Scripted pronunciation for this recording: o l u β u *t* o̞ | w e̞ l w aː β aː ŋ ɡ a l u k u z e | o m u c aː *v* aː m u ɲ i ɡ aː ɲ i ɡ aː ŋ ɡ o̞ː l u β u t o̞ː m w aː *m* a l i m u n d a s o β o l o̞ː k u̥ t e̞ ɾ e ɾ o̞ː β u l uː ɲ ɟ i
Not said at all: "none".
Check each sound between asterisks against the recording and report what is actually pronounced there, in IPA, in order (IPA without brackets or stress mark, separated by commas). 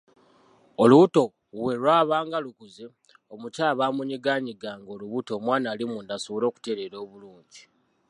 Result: t, β, n